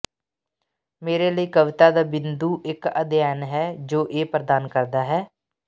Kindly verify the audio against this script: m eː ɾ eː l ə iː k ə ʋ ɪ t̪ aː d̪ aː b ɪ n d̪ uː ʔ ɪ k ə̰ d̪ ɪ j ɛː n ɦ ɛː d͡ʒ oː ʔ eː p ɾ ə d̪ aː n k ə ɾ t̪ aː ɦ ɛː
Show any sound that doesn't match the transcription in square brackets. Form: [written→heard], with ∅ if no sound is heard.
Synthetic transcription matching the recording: m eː ɾ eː l ə iː k ə ʋ ɪ t̪ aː d̪ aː b ɪ n d̪ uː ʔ ɪ k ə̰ d̪ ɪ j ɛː n ɦ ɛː d͡ʒ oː ʔ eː p ɾ ə d̪ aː n k ə ɾ [t̪→d̪] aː ɦ ɛː